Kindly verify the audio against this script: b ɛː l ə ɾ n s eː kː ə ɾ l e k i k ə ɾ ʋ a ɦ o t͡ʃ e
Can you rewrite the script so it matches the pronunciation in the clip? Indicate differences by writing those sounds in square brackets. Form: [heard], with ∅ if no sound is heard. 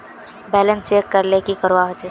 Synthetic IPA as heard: b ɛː l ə [∅] n s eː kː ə ɾ l e k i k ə ɾ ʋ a ɦ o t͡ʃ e